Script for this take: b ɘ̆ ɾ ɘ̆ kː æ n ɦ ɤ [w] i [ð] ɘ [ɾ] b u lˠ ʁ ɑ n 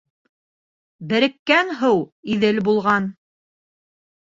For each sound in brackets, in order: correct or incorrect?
correct, correct, incorrect: l

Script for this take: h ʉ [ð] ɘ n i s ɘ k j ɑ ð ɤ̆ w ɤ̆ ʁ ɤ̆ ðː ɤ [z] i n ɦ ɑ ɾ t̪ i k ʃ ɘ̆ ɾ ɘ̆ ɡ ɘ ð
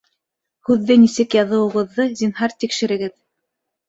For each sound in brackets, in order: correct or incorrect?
incorrect: ðː, correct

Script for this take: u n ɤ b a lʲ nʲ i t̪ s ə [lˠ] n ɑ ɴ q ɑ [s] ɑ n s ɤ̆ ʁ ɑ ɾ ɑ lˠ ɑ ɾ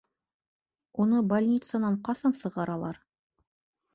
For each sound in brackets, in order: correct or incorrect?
incorrect: none, correct

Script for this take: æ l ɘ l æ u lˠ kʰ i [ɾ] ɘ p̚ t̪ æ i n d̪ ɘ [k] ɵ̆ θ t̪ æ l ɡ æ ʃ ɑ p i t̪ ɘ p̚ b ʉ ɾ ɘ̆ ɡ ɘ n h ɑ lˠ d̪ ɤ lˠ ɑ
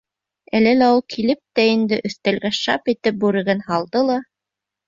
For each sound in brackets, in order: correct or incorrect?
incorrect: l, incorrect: ʔ

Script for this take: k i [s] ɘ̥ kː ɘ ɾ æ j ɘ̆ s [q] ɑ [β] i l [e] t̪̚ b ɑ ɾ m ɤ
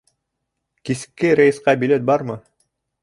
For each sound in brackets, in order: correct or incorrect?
correct, correct, incorrect: b, correct

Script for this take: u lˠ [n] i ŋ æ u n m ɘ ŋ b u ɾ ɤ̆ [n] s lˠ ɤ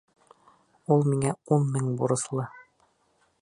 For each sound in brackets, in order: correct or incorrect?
incorrect: m, incorrect: none

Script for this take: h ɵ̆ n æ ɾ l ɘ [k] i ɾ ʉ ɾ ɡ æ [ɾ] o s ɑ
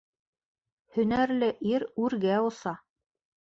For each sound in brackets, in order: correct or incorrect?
incorrect: ʔ, incorrect: none

